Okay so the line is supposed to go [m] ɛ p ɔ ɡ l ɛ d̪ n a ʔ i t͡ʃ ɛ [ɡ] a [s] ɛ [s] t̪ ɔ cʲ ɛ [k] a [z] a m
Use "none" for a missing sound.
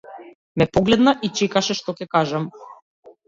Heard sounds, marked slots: m, k, ʃ, ʃ, k, ʒ

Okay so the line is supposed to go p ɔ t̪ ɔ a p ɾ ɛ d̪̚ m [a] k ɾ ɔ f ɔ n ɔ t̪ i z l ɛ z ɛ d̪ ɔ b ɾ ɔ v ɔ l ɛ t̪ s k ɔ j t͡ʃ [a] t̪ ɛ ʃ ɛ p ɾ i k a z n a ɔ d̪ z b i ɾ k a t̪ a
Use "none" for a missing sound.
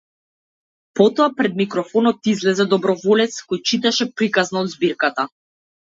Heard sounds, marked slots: i, i

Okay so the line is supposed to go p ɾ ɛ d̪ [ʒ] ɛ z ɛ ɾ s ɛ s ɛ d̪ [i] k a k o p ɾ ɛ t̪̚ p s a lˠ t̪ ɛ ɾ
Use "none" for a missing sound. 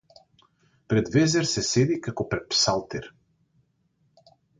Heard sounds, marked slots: v, i

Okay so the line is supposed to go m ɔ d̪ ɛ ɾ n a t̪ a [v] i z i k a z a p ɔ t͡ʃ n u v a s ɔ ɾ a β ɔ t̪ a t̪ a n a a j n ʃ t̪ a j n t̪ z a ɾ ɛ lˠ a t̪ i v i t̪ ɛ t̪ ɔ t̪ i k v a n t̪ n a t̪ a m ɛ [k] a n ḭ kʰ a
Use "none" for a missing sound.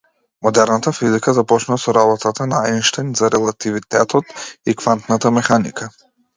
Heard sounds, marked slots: f, x

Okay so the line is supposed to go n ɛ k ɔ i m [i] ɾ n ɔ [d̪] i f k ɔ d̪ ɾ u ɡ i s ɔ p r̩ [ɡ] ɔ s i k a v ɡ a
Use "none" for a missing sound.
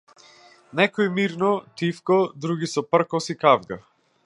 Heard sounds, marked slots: i, t̪, k

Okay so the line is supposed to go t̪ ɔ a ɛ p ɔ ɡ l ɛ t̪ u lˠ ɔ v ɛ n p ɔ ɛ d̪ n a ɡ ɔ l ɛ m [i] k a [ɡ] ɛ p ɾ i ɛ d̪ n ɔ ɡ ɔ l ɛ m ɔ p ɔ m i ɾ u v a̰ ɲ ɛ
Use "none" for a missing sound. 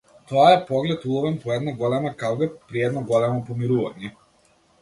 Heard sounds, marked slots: a, ɡ

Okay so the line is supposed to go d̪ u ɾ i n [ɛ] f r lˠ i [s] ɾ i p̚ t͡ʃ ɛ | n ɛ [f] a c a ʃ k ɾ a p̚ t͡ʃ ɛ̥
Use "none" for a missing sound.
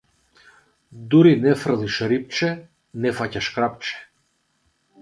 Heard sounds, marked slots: ɛ, ʃ, f

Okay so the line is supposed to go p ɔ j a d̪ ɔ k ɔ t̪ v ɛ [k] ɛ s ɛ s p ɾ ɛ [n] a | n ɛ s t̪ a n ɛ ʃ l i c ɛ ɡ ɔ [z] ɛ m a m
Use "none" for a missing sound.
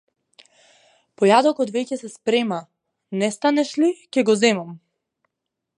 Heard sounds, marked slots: c, m, z

